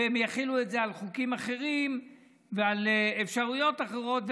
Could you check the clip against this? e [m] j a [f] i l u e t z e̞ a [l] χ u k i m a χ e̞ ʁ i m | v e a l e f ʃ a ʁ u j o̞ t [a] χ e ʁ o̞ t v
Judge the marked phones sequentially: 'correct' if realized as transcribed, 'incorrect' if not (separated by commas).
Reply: correct, incorrect, correct, correct